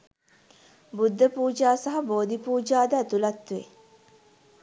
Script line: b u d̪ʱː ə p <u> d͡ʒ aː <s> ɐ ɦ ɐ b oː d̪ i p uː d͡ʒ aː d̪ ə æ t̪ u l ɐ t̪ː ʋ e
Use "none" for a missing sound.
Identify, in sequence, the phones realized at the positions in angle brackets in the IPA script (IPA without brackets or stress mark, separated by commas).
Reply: uː, s